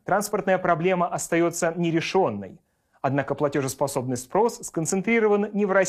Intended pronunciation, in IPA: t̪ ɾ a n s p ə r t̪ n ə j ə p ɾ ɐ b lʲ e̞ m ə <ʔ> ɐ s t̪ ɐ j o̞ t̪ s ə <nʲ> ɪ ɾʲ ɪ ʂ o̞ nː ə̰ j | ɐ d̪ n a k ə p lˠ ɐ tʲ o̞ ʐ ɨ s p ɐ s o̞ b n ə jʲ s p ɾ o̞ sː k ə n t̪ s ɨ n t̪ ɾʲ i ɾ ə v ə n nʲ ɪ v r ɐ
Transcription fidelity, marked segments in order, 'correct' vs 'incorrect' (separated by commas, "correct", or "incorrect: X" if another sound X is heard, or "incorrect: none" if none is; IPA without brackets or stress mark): correct, correct